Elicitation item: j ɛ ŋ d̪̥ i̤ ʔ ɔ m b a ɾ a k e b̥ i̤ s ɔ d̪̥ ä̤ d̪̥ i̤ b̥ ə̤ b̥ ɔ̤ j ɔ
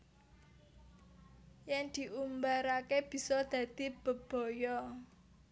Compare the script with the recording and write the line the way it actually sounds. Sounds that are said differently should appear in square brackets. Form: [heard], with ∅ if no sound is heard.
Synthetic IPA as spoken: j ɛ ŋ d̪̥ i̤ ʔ [u] m b a ɾ a k e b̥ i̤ s ɔ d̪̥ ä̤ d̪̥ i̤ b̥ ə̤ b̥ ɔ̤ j ɔ